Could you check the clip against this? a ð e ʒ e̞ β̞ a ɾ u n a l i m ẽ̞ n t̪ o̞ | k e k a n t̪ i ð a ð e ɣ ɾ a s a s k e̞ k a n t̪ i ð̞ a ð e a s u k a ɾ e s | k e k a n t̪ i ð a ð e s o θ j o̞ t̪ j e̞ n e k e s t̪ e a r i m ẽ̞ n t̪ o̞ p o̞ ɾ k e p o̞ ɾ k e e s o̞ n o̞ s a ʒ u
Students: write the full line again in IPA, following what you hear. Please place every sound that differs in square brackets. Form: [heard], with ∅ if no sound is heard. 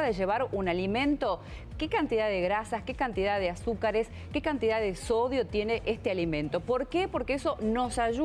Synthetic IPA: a ð e ʒ e̞ β̞ a ɾ u n a l i m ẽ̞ n t̪ o̞ | k e k a n t̪ i ð a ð e ɣ ɾ a s a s k e̞ k a n t̪ i ð̞ a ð e a s u k a ɾ e s | k e k a n t̪ i ð a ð e s o [ð] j o̞ t̪ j e̞ n e [ʔ] e s t̪ e a [l] i m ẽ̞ n t̪ o̞ p o̞ ɾ k e p o̞ ɾ k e e s o̞ n o̞ s a ʒ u